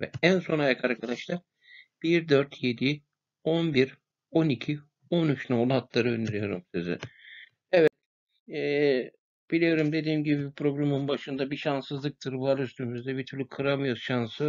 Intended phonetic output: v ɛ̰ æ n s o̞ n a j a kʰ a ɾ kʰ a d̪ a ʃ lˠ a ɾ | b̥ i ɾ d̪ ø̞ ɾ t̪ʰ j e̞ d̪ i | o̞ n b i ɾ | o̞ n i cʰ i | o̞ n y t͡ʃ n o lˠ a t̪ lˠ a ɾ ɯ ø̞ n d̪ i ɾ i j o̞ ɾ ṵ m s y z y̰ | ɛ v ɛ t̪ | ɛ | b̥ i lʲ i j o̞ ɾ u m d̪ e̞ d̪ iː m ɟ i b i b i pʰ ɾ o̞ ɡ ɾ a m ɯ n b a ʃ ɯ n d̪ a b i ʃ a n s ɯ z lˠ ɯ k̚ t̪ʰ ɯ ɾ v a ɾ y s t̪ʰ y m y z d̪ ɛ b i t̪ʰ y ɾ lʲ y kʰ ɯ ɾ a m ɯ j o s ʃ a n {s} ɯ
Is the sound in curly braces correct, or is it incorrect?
correct